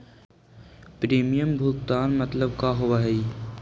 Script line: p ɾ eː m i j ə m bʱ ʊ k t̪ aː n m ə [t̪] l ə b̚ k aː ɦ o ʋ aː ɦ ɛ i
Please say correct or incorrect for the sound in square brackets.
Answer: correct